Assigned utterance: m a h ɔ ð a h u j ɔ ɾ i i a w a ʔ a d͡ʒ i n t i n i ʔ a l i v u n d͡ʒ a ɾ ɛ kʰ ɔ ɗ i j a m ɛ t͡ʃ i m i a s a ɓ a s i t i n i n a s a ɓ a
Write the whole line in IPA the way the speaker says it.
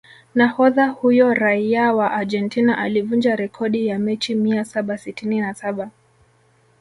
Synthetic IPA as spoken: n a h ɔ ð a h u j ɔ ɾ a i a w a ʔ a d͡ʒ ɛ n t i n a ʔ a l i v u n d͡ʒ a ɾ ɛ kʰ ɔ ɗ i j a m ɛ t͡ʃ i m i a s a ɓ a s i t i n i n a s a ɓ a